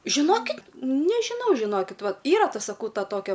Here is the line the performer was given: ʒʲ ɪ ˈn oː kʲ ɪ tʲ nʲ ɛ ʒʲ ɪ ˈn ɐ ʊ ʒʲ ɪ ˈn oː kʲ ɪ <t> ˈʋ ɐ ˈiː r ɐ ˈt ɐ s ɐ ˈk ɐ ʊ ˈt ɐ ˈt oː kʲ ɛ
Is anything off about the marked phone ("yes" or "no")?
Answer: no